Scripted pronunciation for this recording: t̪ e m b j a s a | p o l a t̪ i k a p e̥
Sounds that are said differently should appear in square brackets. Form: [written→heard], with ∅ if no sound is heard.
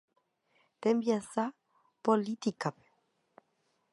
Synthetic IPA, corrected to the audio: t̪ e m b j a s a | p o l [a→i] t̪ i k a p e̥